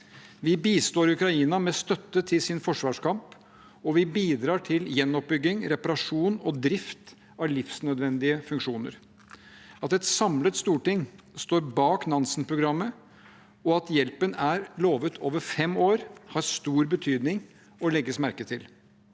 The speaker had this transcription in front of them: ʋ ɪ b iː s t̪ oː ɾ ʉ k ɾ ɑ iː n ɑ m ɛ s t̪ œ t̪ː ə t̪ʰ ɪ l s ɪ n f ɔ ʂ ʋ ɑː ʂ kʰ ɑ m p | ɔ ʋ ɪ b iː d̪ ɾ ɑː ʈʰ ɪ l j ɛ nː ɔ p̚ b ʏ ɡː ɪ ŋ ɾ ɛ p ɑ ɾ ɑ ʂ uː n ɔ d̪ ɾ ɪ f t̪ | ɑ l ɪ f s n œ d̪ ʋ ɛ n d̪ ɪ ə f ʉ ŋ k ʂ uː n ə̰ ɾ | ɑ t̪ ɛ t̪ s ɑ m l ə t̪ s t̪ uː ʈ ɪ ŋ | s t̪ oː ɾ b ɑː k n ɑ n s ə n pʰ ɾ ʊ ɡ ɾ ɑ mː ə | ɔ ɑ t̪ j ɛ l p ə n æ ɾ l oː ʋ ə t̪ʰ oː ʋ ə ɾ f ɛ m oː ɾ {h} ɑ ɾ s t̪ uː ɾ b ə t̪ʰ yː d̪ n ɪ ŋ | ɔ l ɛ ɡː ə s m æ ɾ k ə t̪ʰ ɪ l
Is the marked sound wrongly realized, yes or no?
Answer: no